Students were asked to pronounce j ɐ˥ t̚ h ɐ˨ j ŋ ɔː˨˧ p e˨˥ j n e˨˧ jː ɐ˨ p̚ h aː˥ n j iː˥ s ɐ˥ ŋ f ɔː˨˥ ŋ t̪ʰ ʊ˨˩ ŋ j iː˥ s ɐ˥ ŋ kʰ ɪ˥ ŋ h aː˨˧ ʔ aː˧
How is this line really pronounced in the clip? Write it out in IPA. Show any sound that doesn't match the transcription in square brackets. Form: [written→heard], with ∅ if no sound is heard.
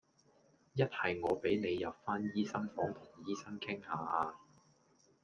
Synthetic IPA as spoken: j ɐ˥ t̚ h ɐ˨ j ŋ ɔː˨˧ p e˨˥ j n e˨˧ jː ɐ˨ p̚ [h→f] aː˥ n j iː˥ s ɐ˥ ŋ f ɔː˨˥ ŋ t̪ʰ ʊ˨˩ ŋ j iː˥ s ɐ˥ ŋ kʰ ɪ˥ ŋ h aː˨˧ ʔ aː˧